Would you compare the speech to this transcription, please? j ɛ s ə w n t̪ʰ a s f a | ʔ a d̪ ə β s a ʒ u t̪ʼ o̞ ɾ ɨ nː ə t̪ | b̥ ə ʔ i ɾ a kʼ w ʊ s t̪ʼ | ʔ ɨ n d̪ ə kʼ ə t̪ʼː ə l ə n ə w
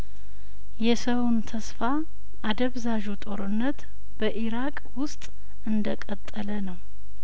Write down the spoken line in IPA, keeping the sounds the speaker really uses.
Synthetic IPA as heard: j ɛ s ə w n t̪ʰ ə s f a | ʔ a d̪ ə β z a ʒ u t̪ʼ o̞ ɾ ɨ nː ə t̪ | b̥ ə ʔ i ɾ a kʼ w ʊ s t̪ʼ | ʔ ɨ n d̪ ə kʼ ə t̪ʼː ə l ə n ə w